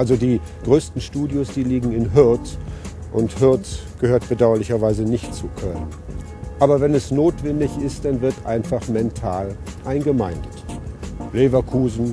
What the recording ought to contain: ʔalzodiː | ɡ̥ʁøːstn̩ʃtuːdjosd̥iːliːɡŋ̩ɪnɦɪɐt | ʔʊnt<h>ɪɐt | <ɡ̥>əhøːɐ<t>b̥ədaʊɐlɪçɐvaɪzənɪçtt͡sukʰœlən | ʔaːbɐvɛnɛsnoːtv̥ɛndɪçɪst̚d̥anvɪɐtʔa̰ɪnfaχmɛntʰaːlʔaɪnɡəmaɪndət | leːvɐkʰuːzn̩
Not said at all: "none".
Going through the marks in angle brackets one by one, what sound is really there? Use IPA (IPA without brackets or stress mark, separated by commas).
h, ɡ̥, t